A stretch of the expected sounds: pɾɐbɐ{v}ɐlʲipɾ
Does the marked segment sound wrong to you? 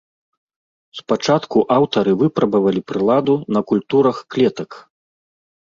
no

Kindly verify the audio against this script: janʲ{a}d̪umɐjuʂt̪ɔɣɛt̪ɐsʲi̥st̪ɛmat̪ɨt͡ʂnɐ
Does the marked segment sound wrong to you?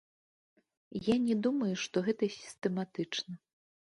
yes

